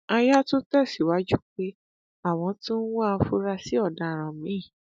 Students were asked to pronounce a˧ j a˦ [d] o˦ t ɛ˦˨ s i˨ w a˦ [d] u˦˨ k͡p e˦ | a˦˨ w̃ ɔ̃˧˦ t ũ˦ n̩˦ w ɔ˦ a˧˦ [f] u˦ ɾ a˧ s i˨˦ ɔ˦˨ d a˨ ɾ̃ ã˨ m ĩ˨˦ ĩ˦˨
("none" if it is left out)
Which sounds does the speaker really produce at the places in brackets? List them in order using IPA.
t, d͡ʒ, f

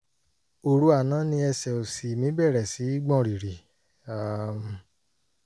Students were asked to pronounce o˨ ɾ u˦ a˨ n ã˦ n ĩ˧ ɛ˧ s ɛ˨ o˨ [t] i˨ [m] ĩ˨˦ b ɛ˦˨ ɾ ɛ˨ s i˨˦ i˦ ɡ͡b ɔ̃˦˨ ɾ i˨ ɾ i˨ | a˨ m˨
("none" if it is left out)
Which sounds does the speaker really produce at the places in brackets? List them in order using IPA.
s, m

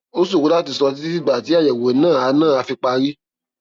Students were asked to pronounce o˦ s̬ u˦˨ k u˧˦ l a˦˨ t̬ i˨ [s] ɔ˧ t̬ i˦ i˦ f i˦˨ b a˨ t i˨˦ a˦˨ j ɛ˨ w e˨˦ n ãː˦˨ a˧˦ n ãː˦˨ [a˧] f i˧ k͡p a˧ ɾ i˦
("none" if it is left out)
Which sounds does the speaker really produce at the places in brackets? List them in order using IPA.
s, a˧

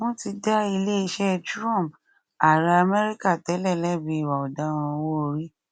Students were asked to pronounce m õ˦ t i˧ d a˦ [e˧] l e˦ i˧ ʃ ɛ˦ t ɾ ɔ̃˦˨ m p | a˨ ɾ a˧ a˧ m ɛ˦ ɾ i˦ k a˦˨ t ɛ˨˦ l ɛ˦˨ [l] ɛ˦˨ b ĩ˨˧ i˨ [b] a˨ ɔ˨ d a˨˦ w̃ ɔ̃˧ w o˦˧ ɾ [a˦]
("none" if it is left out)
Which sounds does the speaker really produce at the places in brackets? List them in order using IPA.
i˧, l, w, i˦

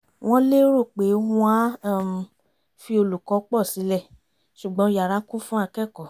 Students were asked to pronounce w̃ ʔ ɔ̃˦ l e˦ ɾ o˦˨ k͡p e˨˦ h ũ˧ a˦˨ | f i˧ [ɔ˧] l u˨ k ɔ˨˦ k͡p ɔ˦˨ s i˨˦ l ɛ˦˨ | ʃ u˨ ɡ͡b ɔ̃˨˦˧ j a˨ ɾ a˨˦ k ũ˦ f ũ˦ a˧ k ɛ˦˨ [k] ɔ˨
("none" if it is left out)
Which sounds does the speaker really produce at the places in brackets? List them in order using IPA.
o˧, k

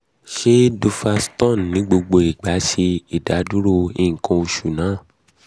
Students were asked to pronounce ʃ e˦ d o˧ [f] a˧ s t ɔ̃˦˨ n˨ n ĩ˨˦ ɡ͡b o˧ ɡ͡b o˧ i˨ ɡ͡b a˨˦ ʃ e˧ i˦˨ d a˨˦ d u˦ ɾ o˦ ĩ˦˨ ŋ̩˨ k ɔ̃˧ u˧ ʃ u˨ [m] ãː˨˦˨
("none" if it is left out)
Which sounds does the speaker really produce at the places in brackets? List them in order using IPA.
f, n

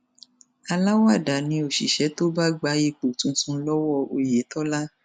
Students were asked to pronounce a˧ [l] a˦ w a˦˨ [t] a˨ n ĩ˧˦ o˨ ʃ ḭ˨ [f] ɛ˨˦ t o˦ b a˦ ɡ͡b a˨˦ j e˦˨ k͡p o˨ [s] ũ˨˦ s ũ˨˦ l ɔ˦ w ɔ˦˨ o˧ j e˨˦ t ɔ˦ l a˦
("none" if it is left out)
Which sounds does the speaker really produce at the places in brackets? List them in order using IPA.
l, d, ʃ, t

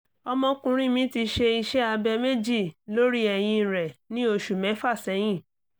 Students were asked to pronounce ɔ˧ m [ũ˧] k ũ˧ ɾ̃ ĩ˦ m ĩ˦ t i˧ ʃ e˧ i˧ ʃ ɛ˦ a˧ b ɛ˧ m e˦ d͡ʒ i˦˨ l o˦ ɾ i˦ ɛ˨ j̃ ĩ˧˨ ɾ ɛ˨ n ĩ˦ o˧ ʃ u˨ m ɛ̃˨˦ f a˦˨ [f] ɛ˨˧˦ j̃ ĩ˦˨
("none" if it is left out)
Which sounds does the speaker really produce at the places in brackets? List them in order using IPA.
ɔ̃˧, s

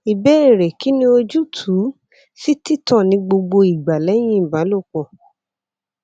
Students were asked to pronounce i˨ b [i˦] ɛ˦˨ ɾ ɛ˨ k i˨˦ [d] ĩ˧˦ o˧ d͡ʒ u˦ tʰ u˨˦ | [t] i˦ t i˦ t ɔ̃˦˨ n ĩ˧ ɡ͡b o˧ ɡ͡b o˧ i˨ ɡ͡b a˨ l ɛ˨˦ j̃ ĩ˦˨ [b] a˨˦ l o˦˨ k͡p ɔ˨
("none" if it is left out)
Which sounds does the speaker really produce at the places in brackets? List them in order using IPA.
ɛ˦, n, s, b

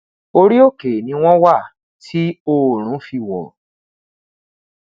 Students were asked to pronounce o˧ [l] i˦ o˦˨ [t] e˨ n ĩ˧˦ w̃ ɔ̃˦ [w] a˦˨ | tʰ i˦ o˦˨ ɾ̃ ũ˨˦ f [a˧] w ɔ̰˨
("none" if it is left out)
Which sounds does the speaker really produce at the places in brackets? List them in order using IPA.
ɾ, k, w, i˧

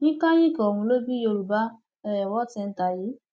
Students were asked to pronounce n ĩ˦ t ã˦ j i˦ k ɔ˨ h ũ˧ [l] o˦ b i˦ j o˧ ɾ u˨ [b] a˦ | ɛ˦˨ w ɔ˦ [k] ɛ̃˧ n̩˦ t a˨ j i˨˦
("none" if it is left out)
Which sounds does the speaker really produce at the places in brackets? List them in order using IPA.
l, b, t

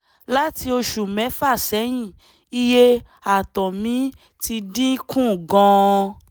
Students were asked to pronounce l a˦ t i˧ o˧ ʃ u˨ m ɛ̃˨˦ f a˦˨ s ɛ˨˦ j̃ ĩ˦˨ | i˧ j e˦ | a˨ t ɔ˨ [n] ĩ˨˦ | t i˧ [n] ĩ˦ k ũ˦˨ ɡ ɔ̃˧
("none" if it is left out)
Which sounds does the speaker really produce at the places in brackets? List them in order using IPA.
m, d

